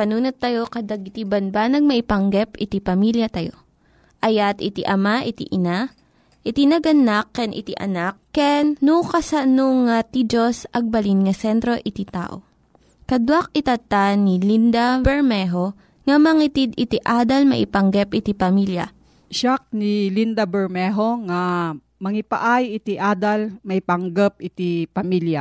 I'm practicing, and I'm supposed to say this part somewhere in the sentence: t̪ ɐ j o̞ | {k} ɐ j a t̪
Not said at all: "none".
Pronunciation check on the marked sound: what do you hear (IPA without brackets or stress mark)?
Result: ʔ